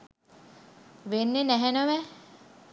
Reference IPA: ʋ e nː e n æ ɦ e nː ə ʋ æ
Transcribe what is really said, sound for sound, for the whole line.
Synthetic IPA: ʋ e nː e n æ ɦ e n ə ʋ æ